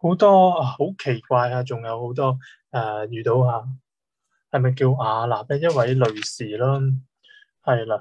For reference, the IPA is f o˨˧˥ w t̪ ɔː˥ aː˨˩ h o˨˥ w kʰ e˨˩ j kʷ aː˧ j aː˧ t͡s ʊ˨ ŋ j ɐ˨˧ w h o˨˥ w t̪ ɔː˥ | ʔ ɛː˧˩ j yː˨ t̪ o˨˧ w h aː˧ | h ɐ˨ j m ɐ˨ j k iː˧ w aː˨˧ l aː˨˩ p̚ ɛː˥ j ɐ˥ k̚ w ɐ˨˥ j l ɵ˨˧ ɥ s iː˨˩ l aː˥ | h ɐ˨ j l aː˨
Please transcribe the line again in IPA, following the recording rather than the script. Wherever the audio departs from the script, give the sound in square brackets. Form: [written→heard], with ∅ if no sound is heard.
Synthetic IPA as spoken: [f→h] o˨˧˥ w t̪ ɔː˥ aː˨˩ h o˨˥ w kʰ e˨˩ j kʷ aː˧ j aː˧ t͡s ʊ˨ ŋ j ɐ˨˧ w h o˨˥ w t̪ ɔː˥ | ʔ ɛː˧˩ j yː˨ t̪ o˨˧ w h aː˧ | h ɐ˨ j m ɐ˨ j k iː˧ w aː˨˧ l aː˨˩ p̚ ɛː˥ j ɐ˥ [k̚→t̚] w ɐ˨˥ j l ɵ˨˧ ɥ s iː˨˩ l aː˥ | h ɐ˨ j l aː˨